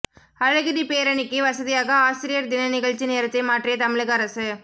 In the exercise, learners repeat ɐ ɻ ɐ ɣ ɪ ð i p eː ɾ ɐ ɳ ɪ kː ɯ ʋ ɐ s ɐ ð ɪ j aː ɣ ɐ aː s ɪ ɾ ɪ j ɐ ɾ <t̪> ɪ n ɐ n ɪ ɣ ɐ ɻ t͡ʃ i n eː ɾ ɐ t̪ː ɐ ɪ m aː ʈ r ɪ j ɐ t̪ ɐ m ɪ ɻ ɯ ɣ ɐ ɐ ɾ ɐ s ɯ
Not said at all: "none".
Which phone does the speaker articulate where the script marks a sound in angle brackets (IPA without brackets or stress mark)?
d̪